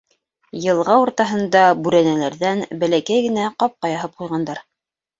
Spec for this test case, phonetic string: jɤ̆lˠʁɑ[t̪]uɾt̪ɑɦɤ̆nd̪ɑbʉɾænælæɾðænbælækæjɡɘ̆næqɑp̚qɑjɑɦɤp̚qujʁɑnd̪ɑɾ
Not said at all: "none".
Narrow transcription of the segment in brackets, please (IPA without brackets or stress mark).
none